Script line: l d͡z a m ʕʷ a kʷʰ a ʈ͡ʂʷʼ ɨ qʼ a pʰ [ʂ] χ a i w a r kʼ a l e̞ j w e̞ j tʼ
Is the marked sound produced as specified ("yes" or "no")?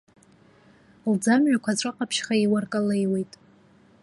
no